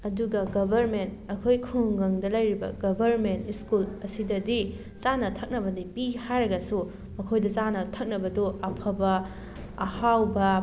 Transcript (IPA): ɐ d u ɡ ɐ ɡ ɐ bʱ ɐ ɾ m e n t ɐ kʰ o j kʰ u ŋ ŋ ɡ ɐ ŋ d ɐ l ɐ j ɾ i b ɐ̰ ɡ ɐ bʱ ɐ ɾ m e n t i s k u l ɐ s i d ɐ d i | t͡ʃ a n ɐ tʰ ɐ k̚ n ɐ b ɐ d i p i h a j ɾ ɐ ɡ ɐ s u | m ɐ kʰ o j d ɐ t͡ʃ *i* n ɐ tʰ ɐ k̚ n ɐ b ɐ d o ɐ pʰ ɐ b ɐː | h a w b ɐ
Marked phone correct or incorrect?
incorrect: a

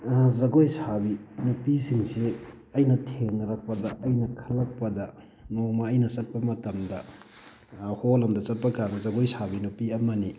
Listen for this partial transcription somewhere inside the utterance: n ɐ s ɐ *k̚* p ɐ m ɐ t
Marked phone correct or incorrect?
incorrect: t̚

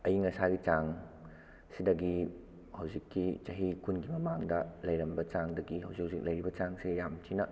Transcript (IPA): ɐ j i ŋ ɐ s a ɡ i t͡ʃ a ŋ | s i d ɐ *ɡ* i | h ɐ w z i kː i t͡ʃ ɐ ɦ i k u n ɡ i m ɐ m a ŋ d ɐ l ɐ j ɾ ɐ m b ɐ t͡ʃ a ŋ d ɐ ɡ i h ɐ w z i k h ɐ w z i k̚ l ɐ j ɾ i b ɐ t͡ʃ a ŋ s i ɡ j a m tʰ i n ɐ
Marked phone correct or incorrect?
correct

